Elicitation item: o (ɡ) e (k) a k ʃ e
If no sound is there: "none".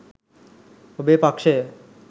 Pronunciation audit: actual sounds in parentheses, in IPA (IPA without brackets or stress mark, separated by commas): b, p